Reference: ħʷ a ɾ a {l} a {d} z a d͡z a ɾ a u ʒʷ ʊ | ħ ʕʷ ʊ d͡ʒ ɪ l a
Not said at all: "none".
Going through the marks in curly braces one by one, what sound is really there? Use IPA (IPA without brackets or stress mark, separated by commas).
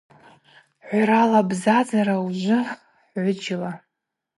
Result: l, b